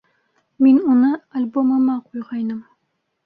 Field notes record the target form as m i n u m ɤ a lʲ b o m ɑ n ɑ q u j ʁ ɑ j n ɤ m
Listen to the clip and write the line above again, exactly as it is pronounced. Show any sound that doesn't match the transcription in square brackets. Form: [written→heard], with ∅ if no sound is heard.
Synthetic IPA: m i n u [m→n] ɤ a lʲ b o m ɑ [n→m] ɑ q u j ʁ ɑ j n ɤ m